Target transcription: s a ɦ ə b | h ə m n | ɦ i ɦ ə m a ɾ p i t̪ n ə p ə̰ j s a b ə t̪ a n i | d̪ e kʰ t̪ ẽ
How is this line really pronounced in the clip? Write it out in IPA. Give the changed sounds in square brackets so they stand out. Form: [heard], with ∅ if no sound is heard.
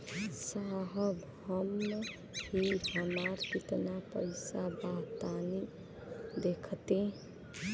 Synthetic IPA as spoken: s a ɦ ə b | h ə m n | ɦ i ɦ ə m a ɾ p i t̪ n [a] p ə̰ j s a b [a] t̪ a n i | d̪ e kʰ t̪ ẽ